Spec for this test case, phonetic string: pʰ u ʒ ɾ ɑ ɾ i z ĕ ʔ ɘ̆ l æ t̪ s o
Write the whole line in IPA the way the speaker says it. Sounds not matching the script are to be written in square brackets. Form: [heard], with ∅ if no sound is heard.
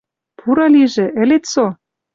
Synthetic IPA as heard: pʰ u [∅] ɾ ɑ [l] i [ʒ] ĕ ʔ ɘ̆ l [e] t̪ s o